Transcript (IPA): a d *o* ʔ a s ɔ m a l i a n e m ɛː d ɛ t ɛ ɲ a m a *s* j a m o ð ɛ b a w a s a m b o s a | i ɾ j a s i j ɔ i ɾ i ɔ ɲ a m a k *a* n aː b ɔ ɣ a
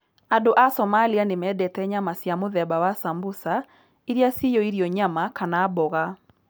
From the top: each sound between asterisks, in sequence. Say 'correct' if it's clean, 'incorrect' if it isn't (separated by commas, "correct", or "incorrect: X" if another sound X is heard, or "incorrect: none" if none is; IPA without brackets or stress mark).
correct, correct, correct